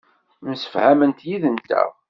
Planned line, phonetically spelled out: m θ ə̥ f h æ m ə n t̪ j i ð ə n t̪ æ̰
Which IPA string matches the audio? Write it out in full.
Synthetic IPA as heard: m s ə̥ f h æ m ə n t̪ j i ð ə n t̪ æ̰